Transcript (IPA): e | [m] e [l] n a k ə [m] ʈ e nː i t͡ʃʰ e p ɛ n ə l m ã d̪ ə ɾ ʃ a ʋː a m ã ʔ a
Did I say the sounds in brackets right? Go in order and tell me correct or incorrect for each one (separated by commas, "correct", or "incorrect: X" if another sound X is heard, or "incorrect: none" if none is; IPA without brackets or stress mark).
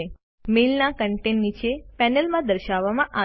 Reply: correct, correct, incorrect: ɳ